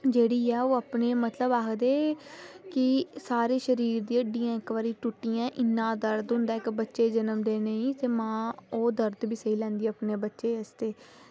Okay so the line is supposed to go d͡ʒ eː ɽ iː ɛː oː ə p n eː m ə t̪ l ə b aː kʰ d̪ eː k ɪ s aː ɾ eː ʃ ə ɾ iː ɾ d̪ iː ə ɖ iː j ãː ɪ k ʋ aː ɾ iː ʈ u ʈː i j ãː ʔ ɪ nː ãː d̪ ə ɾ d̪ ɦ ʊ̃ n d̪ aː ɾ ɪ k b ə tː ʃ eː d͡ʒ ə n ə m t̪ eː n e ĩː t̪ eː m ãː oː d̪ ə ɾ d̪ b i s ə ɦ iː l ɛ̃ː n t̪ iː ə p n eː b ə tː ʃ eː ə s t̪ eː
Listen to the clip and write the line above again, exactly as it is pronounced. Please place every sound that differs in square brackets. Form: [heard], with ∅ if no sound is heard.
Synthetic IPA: d͡ʒ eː ɽ iː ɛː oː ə p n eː m ə t̪ l ə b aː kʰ d̪ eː k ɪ s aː ɾ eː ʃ ə ɾ iː ɾ d̪ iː ə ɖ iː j ãː ɪ k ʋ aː ɾ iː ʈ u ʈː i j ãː ʔ ɪ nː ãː d̪ ə ɾ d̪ ɦ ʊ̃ n d̪ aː [∅] ɪ k b ə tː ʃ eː d͡ʒ ə n ə m [d̪] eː n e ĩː t̪ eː m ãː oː d̪ ə ɾ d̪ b [iː] s ə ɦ iː l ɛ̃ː n [d̪] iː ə p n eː b ə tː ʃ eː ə s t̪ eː